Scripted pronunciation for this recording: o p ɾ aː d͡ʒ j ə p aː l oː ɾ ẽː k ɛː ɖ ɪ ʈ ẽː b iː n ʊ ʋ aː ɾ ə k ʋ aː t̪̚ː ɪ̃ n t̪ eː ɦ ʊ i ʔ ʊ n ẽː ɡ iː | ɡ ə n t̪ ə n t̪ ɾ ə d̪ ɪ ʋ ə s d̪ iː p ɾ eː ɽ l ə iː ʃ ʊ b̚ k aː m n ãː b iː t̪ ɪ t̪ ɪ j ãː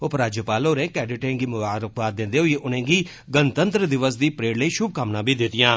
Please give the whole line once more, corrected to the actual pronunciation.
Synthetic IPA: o p ɾ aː d͡ʒ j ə p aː l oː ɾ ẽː k ɛː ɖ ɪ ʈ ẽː ɡ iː m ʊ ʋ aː ɾ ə k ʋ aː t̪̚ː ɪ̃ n d̪ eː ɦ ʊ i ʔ ʊ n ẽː ɡ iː | ɡ ə n t̪ ə n t̪ ɾ ə d̪ ɪ ʋ ə s d̪ iː p ɾ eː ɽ l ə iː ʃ ʊ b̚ k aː m n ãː b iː d̪ ɪ t̪ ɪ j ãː